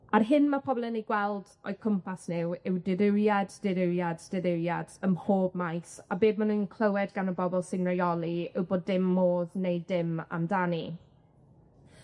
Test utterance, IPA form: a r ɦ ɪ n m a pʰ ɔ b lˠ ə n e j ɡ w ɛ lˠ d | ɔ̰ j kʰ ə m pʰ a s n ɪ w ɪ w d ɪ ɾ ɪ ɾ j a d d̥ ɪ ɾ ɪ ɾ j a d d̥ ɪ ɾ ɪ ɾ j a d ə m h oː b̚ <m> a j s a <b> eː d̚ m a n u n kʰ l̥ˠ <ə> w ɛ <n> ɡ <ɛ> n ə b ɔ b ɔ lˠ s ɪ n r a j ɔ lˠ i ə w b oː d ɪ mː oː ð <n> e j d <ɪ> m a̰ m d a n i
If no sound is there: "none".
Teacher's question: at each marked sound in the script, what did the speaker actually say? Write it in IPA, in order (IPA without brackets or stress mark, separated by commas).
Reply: m, b, ə, d, a, n, ɪ